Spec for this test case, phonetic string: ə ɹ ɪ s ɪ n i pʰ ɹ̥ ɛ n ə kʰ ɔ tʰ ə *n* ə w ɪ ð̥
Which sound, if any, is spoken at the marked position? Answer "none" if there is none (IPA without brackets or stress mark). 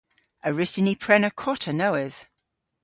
n